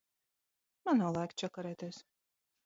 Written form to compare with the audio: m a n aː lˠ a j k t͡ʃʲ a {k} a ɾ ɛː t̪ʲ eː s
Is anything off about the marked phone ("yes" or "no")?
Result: no